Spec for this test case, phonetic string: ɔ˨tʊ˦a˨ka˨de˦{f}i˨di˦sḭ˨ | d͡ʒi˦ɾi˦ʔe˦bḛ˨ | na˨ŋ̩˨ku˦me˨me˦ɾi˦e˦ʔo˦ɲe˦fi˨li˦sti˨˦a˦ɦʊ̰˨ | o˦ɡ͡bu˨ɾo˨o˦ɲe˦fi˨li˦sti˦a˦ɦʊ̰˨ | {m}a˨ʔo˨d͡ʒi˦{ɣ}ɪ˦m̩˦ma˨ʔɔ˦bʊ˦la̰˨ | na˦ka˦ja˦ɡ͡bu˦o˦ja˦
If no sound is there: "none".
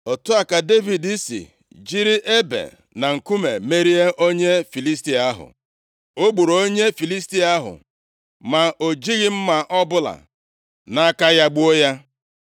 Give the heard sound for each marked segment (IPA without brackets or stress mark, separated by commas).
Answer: v, m, ɣ